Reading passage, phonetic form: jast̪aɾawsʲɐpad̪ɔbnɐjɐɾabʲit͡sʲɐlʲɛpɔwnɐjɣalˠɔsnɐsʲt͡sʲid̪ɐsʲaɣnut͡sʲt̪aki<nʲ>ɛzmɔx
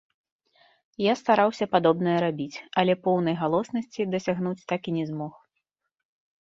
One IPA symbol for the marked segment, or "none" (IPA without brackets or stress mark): nʲ